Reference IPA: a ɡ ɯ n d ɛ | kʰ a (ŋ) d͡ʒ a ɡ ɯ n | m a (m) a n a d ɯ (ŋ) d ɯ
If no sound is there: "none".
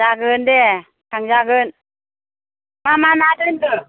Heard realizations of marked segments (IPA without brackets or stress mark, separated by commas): ŋ, m, n